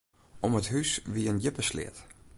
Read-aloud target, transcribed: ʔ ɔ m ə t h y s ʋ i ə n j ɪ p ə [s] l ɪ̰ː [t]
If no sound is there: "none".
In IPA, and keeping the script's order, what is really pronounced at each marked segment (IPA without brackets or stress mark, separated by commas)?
s, t